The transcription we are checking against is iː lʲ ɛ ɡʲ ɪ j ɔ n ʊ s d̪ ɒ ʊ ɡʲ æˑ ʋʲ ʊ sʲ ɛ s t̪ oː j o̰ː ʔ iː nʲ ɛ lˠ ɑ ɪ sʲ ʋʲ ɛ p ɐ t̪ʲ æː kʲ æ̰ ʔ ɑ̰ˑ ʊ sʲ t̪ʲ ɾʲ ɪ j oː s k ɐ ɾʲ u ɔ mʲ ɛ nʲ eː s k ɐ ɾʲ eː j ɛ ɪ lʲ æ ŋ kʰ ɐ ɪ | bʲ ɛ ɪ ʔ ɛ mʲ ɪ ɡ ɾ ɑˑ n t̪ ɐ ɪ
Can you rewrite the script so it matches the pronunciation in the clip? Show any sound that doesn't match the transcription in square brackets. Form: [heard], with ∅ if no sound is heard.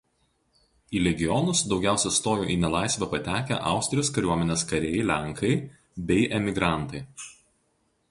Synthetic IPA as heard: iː lʲ ɛ ɡʲ ɪ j ɔ n ʊ s d̪ ɒ ʊ ɡʲ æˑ [∅] ʊ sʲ ɛ s t̪ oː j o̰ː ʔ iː nʲ ɛ lˠ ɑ ɪ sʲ ʋʲ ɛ p ɐ t̪ʲ æː kʲ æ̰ ʔ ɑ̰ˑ ʊ sʲ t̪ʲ ɾʲ ɪ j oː s k ɐ ɾʲ u ɔ mʲ ɛ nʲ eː s k ɐ ɾʲ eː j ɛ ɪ lʲ æ ŋ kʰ ɐ ɪ | bʲ ɛ ɪ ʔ ɛ mʲ ɪ ɡ ɾ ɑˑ n t̪ ɐ ɪ

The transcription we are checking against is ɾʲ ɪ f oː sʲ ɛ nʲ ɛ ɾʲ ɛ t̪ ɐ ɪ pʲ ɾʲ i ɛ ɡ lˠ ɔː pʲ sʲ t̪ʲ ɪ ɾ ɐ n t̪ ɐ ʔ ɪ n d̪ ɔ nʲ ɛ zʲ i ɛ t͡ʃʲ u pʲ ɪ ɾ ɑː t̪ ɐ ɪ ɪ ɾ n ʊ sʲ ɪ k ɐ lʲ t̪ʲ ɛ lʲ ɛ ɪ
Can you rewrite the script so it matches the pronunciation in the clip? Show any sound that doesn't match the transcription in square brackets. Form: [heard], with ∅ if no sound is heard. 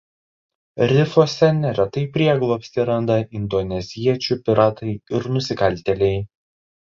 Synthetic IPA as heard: ɾʲ ɪ f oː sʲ ɛ nʲ ɛ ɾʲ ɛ t̪ ɐ ɪ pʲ ɾʲ i ɛ ɡ lˠ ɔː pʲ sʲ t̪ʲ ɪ ɾ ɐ n [d̪] ɐ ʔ ɪ n d̪ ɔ nʲ ɛ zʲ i ɛ t͡ʃʲ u pʲ ɪ ɾ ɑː t̪ ɐ ɪ ɪ ɾ n ʊ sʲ ɪ k ɐ lʲ t̪ʲ ɛ lʲ ɛ ɪ

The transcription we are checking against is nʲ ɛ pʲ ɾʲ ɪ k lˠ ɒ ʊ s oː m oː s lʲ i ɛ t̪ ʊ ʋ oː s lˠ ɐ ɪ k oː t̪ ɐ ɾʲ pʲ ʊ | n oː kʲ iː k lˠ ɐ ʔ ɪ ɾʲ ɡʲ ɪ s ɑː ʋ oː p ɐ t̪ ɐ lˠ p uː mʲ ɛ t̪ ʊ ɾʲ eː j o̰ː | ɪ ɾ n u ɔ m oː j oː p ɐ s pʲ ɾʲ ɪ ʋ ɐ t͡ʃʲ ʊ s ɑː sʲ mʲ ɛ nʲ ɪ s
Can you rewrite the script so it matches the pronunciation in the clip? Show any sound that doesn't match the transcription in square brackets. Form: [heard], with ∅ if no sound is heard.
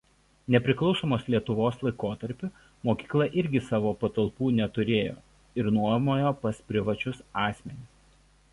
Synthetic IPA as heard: nʲ ɛ pʲ ɾʲ ɪ k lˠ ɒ ʊ s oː m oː s lʲ i ɛ t̪ ʊ ʋ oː s lˠ ɐ ɪ k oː t̪ ɐ ɾʲ pʲ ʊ | [m] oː kʲ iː k lˠ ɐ ʔ ɪ ɾʲ ɡʲ ɪ s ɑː ʋ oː p ɐ t̪ ɐ lˠ p uː [nʲ] ɛ t̪ ʊ ɾʲ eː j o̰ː | ɪ ɾ n u ɔ m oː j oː p ɐ s pʲ ɾʲ ɪ ʋ ɐ t͡ʃʲ ʊ s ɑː sʲ mʲ ɛ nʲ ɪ s

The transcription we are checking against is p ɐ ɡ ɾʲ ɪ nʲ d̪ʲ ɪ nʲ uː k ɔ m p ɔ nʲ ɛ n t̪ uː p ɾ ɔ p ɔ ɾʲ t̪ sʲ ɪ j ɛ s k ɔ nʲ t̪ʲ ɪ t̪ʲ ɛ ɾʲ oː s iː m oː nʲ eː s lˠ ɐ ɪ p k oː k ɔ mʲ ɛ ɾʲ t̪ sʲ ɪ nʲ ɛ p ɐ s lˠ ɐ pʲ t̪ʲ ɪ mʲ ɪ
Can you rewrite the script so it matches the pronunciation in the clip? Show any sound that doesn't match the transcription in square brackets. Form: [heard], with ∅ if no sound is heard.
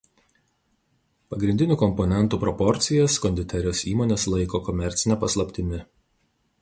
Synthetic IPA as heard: p ɐ ɡ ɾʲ ɪ nʲ d̪ʲ ɪ nʲ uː k ɔ m p ɔ nʲ ɛ n t̪ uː p ɾ ɔ p ɔ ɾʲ t̪ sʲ ɪ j ɛ s k ɔ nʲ [d̪ʲ] ɪ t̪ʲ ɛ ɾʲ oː s iː m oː nʲ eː s lˠ ɐ ɪ [∅] k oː k ɔ mʲ ɛ ɾʲ t̪ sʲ ɪ nʲ ɛ p ɐ s lˠ ɐ pʲ t̪ʲ ɪ mʲ ɪ

